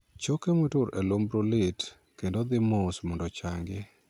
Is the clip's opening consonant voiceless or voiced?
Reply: voiceless